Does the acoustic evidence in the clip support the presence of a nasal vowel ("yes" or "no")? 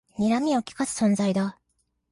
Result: yes